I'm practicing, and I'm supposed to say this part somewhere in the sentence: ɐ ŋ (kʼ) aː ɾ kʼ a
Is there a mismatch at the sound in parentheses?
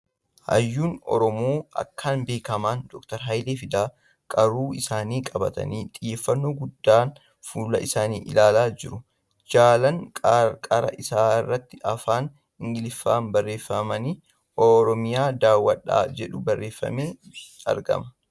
no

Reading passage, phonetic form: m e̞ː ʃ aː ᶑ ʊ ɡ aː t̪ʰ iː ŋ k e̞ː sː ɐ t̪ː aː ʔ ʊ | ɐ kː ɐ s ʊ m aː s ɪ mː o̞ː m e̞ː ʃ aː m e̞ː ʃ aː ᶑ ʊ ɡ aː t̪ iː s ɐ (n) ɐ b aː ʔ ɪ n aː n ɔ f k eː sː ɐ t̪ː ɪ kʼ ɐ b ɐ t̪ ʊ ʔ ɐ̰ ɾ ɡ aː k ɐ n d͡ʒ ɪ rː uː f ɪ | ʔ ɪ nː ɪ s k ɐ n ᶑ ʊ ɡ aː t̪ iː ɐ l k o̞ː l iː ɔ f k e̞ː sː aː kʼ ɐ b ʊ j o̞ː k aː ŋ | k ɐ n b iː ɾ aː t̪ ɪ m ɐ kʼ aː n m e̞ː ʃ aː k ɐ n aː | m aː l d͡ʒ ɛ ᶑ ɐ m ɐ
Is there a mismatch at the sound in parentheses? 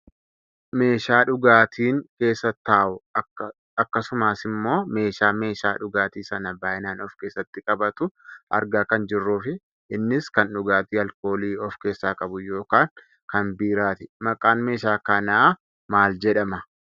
no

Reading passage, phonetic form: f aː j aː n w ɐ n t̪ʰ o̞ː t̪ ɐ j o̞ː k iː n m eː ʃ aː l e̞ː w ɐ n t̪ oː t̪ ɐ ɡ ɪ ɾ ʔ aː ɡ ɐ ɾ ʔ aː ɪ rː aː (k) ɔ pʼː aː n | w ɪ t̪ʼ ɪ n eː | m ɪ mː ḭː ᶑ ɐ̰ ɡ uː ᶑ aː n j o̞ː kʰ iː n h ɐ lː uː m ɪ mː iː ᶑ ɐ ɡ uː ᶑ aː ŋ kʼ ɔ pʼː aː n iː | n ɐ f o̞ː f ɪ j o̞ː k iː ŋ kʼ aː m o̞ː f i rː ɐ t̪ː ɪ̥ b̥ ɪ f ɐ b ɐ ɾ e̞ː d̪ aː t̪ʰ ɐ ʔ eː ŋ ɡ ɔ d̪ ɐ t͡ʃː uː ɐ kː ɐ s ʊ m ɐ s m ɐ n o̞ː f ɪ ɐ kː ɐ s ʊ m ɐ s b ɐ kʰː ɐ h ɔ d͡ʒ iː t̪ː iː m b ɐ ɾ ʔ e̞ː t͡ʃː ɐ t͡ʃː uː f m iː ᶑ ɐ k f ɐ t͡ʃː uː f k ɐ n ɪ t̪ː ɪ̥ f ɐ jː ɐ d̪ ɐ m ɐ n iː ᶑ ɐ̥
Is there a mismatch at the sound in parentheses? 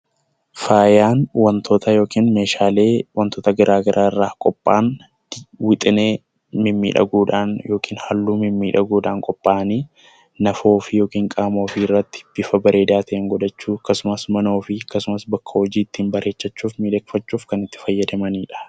yes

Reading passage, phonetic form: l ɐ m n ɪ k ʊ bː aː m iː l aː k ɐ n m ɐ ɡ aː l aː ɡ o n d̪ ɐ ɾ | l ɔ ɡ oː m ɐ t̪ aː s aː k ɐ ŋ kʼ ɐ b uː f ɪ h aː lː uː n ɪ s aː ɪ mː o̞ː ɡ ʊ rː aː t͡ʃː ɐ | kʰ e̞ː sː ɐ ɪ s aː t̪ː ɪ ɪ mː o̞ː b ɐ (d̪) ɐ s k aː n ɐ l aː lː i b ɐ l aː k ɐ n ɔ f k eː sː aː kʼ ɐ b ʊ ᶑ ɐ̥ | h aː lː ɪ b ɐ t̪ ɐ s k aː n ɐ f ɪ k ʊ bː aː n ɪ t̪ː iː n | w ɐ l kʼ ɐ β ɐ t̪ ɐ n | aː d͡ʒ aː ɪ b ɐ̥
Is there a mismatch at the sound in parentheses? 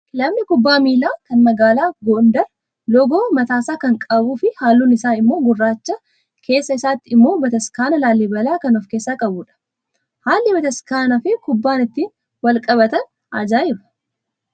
yes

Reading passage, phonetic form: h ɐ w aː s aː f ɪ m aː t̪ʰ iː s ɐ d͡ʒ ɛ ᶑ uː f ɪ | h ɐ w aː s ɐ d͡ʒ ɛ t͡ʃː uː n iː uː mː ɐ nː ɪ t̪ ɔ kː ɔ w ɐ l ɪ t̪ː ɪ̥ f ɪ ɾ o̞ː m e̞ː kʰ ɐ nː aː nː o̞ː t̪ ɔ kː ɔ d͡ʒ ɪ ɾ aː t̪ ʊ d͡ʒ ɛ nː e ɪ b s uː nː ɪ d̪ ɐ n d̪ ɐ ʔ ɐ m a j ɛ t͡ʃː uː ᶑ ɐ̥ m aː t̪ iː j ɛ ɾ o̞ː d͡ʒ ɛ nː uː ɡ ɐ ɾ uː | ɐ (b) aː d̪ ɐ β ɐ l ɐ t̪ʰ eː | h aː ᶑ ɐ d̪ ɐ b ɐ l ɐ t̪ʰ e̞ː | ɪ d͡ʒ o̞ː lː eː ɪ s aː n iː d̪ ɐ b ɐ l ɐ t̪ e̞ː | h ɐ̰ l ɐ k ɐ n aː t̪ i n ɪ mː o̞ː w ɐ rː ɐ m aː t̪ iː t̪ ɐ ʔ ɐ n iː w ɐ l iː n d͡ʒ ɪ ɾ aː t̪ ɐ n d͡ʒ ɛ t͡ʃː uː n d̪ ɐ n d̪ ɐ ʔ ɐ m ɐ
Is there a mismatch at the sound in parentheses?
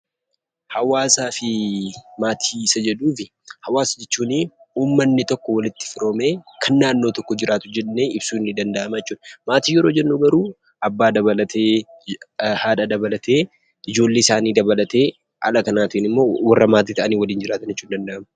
yes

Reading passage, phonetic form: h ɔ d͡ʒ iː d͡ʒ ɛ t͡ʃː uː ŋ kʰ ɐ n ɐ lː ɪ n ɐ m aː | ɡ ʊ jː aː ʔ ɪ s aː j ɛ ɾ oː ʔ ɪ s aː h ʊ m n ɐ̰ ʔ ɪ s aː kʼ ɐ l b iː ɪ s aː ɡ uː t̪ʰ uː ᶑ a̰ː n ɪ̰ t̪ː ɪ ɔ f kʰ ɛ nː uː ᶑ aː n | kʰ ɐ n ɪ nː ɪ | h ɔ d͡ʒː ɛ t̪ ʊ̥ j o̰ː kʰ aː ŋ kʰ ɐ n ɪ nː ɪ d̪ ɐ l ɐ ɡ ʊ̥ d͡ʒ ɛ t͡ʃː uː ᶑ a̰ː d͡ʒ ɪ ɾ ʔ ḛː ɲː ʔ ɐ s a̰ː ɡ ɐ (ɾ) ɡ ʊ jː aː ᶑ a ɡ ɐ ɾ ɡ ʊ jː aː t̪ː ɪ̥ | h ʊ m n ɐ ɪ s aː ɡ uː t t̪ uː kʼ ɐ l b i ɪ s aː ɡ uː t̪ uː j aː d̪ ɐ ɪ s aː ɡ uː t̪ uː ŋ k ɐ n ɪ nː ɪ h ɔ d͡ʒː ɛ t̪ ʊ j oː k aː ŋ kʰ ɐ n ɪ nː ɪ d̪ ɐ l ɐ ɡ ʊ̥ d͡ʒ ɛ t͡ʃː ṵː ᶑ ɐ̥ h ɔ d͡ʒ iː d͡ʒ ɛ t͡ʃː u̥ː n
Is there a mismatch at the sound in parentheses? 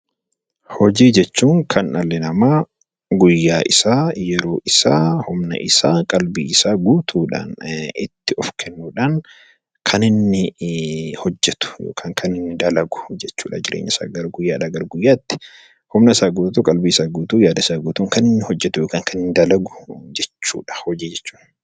no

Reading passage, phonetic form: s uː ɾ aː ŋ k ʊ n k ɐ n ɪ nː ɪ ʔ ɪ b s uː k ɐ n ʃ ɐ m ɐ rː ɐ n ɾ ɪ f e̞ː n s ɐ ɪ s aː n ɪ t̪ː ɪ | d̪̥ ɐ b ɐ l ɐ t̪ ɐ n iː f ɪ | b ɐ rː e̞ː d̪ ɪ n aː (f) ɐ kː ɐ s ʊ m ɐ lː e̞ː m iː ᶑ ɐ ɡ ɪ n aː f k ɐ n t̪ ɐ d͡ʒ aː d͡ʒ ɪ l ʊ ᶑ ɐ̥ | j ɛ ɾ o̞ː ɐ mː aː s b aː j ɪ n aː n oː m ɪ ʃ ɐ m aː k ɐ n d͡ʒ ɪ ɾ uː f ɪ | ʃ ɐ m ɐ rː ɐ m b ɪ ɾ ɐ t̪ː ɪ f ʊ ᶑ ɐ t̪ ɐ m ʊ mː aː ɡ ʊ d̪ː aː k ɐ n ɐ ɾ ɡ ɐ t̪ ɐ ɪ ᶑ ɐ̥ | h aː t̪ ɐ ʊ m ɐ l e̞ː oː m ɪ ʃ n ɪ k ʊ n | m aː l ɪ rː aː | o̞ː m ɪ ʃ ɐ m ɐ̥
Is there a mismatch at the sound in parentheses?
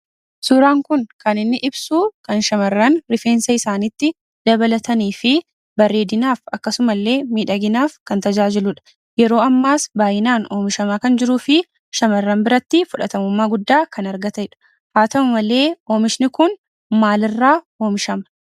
no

